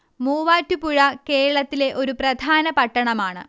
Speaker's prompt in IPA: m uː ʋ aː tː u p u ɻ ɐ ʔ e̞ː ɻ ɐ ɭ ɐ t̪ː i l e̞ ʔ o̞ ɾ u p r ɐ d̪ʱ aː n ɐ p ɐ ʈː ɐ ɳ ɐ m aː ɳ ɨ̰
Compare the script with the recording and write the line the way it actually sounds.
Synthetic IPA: m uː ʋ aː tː u p u ɻ ɐ k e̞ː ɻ ɐ ɭ ɐ t̪ː i l e̞ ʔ o̞ ɾ u p r ɐ d̪ʱ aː n ɐ p ɐ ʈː ɐ ɳ ɐ m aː ɳ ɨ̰